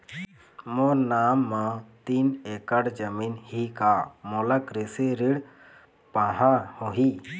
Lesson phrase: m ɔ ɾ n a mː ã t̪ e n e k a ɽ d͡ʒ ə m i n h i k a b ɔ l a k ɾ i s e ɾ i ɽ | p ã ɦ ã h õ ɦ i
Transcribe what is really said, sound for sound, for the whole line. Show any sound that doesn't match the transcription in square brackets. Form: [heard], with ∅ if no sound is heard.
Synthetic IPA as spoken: m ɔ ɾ n a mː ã t̪ [i] n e k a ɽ d͡ʒ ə m i n h i k a [m] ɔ l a k ɾ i s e ɾ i ɽ | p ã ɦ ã h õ ɦ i